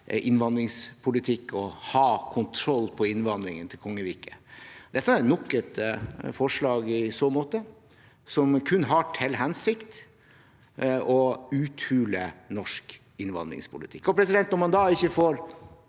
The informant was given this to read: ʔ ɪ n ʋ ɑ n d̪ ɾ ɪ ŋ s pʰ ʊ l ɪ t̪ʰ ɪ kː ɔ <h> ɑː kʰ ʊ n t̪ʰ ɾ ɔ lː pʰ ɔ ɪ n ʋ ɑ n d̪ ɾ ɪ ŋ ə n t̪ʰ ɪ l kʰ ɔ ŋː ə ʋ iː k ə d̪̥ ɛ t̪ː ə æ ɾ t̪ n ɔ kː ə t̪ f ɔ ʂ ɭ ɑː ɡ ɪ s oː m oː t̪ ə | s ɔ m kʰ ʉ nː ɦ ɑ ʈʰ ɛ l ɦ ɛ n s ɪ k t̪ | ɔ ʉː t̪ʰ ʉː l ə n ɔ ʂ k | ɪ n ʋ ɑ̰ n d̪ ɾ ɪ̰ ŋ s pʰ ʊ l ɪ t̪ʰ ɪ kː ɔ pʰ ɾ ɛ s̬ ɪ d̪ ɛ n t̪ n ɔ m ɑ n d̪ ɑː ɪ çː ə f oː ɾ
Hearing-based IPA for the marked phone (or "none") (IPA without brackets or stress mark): h